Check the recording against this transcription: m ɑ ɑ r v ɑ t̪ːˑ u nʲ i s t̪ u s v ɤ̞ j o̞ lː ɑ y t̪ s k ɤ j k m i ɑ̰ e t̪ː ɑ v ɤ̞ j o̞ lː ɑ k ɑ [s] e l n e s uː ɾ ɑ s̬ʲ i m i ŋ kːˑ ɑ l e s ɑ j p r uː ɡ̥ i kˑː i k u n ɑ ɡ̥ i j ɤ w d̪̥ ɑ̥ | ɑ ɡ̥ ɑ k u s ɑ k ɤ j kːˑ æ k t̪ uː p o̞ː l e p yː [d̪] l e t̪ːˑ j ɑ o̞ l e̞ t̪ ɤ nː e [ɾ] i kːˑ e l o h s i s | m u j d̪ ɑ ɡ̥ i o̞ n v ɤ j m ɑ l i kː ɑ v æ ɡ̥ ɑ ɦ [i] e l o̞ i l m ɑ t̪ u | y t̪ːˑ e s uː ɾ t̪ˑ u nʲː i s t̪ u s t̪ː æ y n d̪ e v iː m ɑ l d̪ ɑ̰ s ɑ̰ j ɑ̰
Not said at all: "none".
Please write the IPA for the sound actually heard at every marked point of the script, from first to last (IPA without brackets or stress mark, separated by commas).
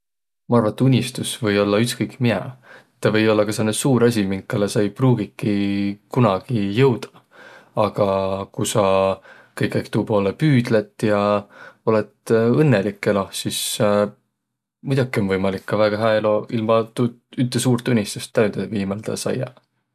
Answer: s, d̪, l, æ